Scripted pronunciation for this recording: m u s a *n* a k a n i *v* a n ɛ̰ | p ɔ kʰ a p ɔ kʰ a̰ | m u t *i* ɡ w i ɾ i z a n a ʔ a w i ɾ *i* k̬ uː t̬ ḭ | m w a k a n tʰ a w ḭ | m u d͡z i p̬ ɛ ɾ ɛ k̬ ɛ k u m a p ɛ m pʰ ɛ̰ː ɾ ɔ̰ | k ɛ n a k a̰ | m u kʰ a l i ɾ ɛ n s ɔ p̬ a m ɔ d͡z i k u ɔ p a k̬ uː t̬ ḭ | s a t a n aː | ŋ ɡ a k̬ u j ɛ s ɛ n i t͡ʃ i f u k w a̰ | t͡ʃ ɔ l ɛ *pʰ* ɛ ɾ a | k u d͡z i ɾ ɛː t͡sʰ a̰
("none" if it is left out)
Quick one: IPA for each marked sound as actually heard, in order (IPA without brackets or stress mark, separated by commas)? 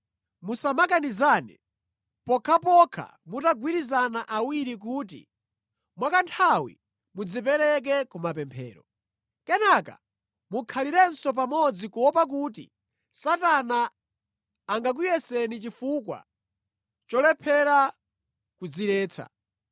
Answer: m, z, a, i, pʰ